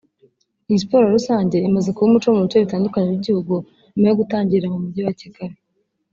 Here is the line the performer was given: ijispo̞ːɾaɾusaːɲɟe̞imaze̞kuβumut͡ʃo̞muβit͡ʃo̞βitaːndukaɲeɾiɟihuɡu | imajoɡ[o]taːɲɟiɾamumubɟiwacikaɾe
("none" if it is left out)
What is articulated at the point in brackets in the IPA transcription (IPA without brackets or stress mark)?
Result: u